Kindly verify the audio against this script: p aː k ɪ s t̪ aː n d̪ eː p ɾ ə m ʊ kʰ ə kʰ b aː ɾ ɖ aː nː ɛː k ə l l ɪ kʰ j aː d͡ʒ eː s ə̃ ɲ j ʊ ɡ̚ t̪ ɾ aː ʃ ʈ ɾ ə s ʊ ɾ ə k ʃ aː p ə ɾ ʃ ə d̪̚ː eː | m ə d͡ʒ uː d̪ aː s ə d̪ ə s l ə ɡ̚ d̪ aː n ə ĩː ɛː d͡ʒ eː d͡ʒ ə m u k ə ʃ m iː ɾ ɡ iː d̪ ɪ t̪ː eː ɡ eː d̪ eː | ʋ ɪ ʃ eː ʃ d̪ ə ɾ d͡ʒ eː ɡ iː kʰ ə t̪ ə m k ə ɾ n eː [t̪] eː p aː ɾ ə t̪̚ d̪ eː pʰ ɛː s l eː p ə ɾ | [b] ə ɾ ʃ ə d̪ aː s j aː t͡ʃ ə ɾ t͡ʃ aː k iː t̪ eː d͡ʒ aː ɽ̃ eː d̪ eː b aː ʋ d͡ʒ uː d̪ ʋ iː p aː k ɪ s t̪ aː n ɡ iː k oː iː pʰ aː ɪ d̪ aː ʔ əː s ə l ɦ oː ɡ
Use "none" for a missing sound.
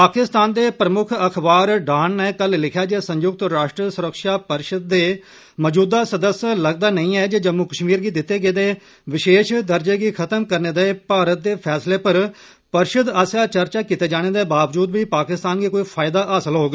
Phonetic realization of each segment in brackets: d̪, p

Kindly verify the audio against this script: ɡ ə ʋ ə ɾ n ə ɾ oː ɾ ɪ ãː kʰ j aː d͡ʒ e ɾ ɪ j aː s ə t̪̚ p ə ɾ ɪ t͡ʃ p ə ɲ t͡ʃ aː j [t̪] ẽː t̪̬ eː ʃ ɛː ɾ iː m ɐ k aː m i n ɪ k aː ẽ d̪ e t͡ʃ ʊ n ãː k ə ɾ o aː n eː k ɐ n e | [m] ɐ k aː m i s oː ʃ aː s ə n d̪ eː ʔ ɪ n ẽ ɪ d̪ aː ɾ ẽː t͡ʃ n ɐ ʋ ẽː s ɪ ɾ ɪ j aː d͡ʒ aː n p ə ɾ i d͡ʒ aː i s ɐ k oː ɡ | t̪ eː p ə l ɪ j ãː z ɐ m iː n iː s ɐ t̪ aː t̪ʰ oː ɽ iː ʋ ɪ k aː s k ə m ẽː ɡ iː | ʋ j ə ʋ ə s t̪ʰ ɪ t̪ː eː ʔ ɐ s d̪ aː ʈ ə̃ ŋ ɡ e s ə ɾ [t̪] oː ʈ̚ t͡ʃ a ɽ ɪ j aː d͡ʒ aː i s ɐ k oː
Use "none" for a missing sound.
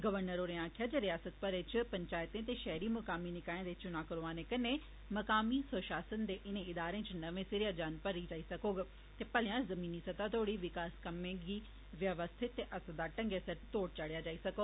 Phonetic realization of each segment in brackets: t̪, m, t̪

